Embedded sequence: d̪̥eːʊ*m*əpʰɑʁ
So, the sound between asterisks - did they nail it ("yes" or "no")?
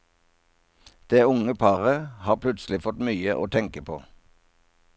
no